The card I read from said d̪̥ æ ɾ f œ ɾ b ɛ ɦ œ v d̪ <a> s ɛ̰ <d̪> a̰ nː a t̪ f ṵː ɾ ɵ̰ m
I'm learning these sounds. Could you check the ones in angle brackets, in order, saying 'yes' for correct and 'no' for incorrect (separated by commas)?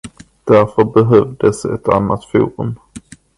no, no